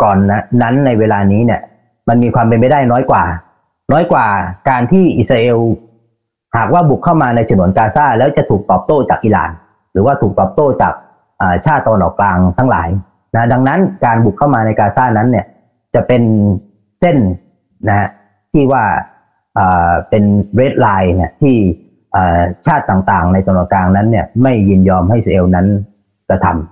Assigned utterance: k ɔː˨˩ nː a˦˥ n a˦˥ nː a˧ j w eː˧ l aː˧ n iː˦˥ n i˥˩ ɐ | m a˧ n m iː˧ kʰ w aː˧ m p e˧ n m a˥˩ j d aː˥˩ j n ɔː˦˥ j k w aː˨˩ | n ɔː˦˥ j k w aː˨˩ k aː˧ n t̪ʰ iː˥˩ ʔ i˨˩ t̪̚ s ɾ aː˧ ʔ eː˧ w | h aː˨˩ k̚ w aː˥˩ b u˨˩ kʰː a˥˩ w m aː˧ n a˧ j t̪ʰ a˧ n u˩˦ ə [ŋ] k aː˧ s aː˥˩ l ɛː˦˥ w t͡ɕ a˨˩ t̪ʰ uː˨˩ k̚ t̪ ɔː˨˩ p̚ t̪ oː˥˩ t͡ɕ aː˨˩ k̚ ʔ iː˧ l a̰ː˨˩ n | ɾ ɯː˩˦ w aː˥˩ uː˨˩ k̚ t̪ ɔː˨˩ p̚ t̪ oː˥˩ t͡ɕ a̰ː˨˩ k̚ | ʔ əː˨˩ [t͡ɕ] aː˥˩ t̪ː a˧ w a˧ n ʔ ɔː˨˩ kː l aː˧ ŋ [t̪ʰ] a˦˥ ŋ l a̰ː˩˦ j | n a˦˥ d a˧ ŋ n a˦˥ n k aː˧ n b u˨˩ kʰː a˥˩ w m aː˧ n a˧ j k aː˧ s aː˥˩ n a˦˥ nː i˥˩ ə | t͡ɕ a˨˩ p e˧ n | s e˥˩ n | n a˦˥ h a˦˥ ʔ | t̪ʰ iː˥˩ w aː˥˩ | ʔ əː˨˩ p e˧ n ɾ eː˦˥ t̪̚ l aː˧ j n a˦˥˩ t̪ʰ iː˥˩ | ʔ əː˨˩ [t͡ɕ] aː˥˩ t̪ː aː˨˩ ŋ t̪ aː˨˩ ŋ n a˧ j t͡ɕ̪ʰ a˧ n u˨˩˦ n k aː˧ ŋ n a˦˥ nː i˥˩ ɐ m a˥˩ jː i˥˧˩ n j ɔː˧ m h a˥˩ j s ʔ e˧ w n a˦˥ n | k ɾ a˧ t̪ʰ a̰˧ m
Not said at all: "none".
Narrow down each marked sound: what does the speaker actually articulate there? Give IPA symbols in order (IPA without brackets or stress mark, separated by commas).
n, t͡ɕʰ, t̪ʰ, t͡ɕʰ